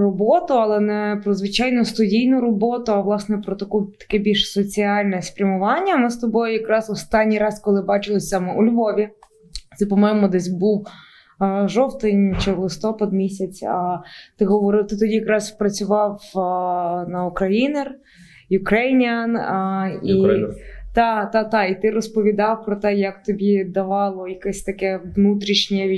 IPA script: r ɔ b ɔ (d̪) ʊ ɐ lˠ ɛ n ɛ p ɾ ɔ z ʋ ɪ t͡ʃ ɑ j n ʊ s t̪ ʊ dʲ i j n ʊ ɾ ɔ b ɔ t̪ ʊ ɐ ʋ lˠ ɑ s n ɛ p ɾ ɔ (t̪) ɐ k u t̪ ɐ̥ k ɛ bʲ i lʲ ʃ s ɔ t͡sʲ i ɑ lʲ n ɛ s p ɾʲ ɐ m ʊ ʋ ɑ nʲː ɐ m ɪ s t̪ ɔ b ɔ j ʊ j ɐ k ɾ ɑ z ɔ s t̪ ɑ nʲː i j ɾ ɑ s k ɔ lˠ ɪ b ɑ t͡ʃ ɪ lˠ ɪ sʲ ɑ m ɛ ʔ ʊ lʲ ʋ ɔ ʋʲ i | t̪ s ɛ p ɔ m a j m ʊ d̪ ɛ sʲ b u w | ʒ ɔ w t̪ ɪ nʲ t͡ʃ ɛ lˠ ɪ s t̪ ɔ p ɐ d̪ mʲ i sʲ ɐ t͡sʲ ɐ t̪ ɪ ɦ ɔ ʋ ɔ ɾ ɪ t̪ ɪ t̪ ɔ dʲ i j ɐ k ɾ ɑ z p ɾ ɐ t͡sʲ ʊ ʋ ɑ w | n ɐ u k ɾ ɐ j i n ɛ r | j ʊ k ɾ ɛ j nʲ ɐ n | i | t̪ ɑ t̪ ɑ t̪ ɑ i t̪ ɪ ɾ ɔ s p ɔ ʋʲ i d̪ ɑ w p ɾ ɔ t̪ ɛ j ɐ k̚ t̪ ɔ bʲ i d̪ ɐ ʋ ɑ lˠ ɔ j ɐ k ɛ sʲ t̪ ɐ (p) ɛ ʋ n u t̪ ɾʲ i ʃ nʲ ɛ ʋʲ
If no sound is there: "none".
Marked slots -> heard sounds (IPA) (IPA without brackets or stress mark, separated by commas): t̪, t̪, k